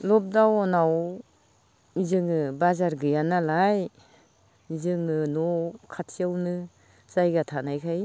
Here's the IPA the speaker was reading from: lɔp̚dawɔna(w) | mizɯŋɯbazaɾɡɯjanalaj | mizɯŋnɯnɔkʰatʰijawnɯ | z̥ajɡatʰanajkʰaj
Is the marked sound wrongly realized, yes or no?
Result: no